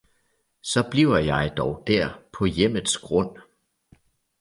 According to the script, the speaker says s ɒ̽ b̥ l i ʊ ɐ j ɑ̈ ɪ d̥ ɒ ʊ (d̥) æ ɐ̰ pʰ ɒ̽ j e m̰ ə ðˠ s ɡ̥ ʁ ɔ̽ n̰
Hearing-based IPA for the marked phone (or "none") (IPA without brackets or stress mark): d̥